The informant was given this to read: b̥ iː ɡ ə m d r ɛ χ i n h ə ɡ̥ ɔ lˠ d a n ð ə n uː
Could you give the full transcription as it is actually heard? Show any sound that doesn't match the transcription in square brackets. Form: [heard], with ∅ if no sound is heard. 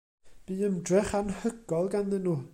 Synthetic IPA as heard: b̥ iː [∅] ə m d r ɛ χ [a] n h ə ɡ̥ ɔ lˠ [ɡ] a n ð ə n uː